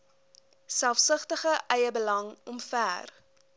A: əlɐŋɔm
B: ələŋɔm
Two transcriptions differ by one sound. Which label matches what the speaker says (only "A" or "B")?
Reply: A